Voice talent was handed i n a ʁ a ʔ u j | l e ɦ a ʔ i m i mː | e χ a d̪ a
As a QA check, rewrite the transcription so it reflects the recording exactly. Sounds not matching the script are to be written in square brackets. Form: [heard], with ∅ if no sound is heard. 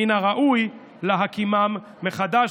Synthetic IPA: i n a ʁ a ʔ u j | l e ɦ a [k] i m [a] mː | e χ a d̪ a